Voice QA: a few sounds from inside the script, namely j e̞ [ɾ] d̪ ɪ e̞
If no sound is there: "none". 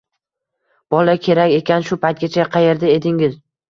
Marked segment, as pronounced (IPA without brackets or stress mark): ɾ